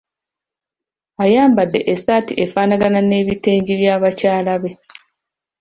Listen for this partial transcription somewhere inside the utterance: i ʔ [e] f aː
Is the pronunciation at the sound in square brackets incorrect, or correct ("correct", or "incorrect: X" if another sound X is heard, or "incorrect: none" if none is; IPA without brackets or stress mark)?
correct